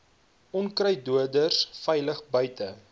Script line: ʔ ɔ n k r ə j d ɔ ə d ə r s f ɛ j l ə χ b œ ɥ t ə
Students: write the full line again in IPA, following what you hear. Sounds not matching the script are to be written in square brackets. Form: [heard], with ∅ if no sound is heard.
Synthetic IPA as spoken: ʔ ɔ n k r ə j d [u] ə d ə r s f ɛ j l ə χ b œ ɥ t ə